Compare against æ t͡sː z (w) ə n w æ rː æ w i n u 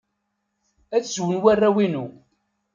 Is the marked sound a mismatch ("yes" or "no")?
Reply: no